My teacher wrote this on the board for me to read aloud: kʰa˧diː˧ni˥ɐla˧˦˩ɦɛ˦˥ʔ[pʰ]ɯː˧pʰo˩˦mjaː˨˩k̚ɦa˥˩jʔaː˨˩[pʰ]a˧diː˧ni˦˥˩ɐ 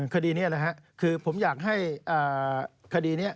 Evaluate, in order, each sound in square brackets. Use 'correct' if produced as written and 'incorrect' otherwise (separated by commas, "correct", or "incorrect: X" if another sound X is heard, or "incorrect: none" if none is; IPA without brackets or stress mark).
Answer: incorrect: kʰ, incorrect: kʰ